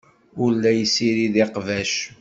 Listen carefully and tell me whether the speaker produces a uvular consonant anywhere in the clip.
yes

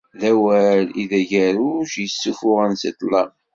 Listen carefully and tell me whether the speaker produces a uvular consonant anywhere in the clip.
yes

